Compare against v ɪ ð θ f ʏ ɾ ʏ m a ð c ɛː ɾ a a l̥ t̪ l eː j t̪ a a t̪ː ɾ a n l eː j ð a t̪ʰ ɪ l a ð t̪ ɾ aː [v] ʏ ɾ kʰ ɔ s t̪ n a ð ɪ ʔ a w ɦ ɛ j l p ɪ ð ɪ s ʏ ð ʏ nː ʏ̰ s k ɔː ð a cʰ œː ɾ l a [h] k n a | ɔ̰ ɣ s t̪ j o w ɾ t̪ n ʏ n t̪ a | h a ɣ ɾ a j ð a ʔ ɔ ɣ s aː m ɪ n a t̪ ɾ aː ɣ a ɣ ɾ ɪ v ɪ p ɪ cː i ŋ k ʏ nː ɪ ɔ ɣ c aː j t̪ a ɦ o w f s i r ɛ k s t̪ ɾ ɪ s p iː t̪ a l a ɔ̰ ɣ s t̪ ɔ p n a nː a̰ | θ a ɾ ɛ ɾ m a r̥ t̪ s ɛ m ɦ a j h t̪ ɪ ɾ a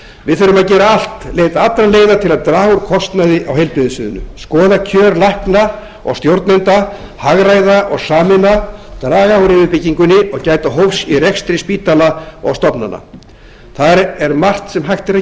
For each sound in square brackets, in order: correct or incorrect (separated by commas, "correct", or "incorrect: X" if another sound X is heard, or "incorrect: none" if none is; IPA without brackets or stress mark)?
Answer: incorrect: ɣ, correct